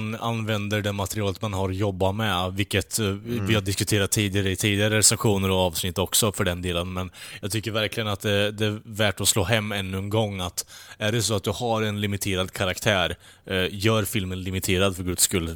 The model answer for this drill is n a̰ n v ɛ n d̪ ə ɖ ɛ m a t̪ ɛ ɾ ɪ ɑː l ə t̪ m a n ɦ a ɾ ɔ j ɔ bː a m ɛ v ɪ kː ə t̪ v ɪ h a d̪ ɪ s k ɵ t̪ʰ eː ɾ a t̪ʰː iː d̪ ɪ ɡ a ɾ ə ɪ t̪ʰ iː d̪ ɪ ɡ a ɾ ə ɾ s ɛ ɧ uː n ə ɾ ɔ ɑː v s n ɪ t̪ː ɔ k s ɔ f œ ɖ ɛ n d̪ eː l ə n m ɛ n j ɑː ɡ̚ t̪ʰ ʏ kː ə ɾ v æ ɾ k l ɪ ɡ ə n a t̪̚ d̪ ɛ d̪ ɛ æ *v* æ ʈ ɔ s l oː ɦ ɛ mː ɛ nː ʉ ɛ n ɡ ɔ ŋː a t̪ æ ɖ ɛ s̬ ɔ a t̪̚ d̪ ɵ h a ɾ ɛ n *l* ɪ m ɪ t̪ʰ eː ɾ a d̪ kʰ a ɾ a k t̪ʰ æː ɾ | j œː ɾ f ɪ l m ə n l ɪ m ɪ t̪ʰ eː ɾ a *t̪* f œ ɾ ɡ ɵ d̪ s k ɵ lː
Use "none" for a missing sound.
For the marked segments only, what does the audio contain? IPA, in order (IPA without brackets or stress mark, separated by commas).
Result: v, l, d̪